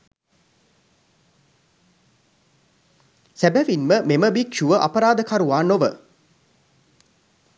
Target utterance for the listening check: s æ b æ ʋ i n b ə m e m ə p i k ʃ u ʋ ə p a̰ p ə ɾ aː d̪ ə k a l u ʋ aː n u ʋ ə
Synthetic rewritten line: s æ b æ ʋ i n m ə m e m ə b i k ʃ u ʋ ə ʔ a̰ p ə ɾ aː d̪ ə k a ɾ u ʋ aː n o ʋ ə